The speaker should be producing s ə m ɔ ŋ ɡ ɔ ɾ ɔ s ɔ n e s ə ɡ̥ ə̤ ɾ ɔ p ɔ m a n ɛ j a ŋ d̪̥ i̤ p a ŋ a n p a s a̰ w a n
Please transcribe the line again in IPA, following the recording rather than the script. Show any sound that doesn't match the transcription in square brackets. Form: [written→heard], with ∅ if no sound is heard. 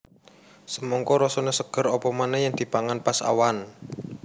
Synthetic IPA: s ə m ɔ ŋ [ɡ→k] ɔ ɾ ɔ s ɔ n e s ə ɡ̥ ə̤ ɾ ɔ p ɔ m a n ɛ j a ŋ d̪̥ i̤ p a ŋ a n p a s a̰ w a n

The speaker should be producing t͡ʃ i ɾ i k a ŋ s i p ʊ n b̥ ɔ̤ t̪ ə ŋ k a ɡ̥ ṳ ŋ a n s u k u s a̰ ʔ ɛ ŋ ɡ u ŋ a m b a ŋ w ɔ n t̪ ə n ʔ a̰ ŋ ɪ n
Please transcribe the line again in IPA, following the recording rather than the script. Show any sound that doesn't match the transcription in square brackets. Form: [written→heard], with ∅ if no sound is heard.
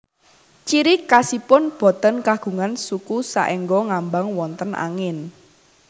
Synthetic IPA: t͡ʃ i ɾ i k a [ŋ→∅] s i p ʊ n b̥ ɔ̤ t̪ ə [ŋ→n] k a ɡ̥ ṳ ŋ a n s u k u s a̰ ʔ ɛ ŋ ɡ [u→ɔ] ŋ a m b a ŋ w ɔ n t̪ ə n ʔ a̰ ŋ ɪ n

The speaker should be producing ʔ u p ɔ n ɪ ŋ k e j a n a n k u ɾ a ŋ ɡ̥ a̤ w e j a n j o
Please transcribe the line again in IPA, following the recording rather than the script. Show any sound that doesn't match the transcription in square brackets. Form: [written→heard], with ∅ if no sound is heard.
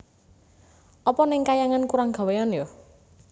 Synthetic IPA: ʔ [u→ɔ] p ɔ n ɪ ŋ k [e→a] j a [n→ŋ] a n k u ɾ a ŋ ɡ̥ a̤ w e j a n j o

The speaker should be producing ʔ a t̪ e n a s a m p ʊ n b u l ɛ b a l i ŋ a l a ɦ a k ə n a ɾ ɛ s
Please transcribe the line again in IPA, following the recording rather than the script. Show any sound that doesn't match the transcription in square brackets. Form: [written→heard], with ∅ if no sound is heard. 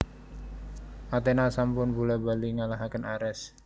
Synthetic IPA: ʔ a t̪ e n a s a m p ʊ n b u l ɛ b a l i ŋ a l a ɦ a k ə n a ɾ ɛ s

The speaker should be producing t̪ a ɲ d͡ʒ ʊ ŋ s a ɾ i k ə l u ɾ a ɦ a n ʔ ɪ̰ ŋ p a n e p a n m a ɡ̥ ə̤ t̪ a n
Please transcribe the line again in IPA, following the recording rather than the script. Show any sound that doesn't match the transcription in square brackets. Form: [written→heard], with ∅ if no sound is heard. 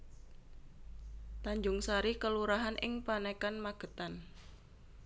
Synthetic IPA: t̪ a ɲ d͡ʒ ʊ ŋ s a ɾ i k ə l u ɾ a ɦ a n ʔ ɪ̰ ŋ p a n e [p→k] a n m a ɡ̥ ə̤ t̪ a n

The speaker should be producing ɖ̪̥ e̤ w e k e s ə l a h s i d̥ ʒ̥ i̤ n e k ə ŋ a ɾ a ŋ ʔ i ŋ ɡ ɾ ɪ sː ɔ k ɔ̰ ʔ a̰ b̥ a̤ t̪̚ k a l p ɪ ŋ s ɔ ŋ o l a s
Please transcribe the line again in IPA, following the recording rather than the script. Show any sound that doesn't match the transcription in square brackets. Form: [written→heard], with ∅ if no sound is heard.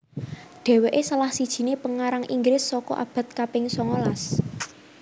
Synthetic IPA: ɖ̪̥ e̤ w e [k→ʔ] e s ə l a h s i d̥ ʒ̥ i̤ n e [k→p] ə ŋ a ɾ a ŋ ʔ i ŋ ɡ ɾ ɪ sː ɔ k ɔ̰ ʔ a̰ b̥ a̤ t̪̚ k a [l→∅] p ɪ ŋ s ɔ ŋ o l a s

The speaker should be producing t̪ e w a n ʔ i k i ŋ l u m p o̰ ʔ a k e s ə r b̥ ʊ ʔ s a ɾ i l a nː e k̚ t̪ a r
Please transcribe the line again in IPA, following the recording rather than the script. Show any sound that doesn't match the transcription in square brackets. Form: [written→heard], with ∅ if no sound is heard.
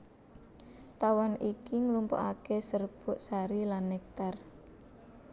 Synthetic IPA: t̪ [e→a] w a n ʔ i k i ŋ l u m p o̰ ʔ a k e s ə r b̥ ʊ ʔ s a ɾ i l a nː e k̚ t̪ a r

